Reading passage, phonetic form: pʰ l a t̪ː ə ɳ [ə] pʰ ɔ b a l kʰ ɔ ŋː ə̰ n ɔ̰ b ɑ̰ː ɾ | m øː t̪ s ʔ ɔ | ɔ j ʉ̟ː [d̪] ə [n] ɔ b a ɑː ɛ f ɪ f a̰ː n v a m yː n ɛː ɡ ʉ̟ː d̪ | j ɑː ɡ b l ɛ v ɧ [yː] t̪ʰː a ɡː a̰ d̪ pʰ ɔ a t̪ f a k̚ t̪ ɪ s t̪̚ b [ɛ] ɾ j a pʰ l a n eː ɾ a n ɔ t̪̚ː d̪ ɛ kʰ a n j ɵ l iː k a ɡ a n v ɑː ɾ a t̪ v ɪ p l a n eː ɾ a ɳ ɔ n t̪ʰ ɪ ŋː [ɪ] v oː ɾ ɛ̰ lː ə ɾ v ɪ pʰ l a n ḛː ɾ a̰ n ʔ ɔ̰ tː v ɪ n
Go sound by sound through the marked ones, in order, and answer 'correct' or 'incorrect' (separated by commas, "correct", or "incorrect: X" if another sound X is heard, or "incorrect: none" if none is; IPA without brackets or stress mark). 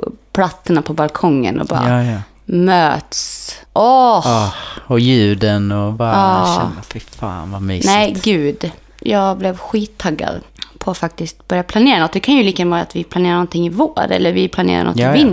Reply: incorrect: a, correct, correct, incorrect: iː, incorrect: œ, correct